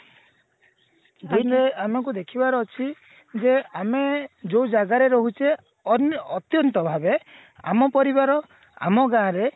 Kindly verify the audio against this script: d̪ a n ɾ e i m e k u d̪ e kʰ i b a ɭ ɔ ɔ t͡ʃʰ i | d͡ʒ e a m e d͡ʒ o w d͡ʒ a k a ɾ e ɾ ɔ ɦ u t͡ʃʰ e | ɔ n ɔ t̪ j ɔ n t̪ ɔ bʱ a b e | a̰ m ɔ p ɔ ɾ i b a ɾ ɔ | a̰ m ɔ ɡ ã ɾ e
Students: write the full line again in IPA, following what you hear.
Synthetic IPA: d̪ i n ɾ e a m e k u d̪ e kʰ i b a ɾ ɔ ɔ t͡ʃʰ i | d͡ʒ e a m e d͡ʒ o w d͡ʒ a ɡ a ɾ e ɾ ɔ ɦ u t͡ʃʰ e | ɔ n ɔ t̪ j ɔ n t̪ ɔ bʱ a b e | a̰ m ɔ p ɔ ɾ i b a ɾ ɔ | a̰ m ɔ ɡ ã ɾ e